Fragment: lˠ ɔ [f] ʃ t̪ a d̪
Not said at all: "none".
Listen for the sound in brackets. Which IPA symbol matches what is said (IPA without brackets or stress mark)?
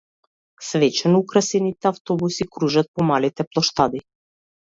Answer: none